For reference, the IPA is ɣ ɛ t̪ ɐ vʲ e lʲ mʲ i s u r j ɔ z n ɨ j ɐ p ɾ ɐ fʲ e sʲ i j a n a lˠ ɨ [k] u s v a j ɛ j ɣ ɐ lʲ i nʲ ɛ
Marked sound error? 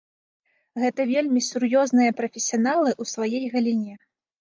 yes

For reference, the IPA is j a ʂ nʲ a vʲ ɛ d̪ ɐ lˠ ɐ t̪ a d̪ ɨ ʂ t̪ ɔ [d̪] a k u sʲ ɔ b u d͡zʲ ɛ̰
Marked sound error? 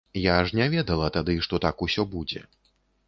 yes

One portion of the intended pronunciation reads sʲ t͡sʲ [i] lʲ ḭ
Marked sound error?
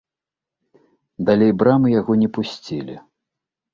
no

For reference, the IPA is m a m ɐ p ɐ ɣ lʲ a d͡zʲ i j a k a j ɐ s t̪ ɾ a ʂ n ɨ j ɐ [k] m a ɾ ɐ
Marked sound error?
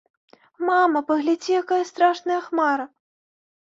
yes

